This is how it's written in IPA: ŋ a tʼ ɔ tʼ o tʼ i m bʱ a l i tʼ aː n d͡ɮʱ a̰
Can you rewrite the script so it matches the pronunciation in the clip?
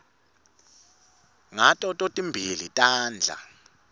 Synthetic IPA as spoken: ŋ a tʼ ɔ tʼ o tʼ i m bʱ i l i tʼ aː n d͡ɮʱ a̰

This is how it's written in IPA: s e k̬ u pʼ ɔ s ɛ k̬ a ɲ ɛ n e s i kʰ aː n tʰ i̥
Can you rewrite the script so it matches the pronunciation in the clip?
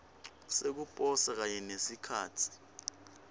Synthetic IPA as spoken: s e k̬ u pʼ ɔ s a k̬ a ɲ ɛ n e s i kʰ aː tʰ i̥

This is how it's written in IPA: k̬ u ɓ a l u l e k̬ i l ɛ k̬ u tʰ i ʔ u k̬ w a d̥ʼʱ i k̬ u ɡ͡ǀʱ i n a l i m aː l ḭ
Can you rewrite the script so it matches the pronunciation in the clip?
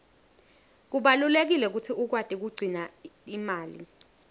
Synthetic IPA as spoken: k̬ u ɓ a l u l e k̬ i l ɛ k̬ u tʰ i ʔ u k̬ w a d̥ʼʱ i k̬ u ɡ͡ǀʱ i n a i m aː l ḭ

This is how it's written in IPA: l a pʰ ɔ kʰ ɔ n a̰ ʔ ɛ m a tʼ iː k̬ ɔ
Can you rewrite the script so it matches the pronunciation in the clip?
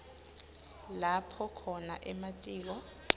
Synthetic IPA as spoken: l a pʰ ɔ kʰ ɔ n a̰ ʔ ɛ m a tʼ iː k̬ ɔ

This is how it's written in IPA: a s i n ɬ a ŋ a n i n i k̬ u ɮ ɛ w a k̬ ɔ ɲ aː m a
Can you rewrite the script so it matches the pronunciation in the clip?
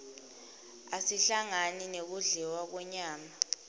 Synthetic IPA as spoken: a s i ɬ a ŋ a n i n e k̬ u ɮ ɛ w a k̬ ɔ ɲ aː m a

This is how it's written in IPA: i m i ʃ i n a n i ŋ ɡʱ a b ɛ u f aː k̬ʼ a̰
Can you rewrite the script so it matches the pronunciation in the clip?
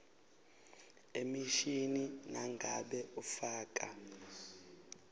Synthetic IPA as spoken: e m i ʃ i n i n a ŋ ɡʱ a ɓ ɛ u f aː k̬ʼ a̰

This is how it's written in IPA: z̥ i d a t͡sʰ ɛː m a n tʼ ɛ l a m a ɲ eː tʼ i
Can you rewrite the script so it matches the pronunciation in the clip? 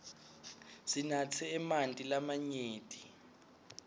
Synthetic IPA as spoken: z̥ i n a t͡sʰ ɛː m a n tʼ i l a m a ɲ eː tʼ i

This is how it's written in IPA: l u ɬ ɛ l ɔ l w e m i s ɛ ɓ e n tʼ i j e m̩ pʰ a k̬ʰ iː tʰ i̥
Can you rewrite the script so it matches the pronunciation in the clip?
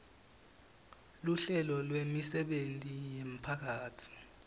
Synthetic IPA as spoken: l u ɬ ɛ l ɔ l w e m i s ɛ ɓ e n tʼ i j e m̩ pʰ a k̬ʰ aː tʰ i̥

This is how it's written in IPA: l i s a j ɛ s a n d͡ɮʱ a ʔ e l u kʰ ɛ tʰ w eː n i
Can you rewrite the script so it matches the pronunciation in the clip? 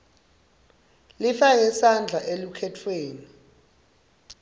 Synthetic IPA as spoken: l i f a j ɛ s a n d͡ɮʱ a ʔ e l u kʰ ɛ tʰ w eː n i

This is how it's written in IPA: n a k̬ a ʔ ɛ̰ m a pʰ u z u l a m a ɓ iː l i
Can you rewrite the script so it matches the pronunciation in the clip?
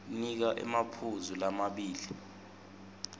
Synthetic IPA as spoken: n i k̬ a ʔ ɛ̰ m a pʰ u z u l a m a ɓ iː l i

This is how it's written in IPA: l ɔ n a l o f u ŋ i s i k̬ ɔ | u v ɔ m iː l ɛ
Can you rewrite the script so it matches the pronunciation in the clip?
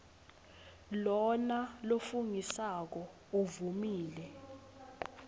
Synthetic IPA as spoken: l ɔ n a l o f u ŋ i s a k̬ ɔ | u v u m iː l ɛ

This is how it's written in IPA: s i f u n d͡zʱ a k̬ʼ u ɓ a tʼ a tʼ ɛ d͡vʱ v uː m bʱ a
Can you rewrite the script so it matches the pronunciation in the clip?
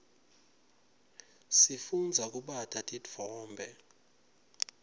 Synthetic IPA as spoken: s i f u n d͡zʱ a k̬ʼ u ɓ a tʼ a tʼ i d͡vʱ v ɔː m bʱ ɛ

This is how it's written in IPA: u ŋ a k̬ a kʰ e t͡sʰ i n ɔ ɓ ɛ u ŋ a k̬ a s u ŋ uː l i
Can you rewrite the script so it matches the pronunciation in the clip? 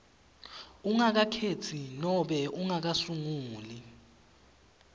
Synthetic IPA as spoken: u ŋ a k̬ a kʰ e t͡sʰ i n ɔ ɓ ɛ u ŋ a k̬ a s u ŋ uː l i

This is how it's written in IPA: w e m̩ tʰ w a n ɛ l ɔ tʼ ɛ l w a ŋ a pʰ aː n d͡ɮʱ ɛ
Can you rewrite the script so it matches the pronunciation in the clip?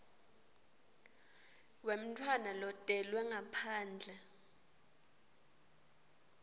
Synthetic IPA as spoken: w e m̩ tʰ w a n a l ɔ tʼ ɛ l w ɛ ŋ a pʰ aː n d͡ɮʱ ɛ

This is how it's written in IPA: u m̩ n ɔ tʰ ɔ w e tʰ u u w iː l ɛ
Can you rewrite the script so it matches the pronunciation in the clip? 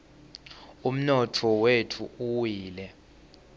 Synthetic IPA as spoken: u m̩ n ɔ tʰ ɔ w e tʰ u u w iː l ɛ

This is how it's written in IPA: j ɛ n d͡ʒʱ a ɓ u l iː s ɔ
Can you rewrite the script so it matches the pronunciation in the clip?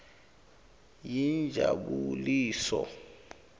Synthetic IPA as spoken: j i n d͡ʒʱ a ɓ u l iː s ɔ

